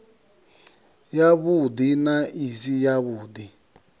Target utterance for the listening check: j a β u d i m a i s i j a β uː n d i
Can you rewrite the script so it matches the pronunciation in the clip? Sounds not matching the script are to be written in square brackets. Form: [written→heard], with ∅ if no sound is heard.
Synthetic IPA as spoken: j a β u d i [m→n] a i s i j a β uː [n→∅] d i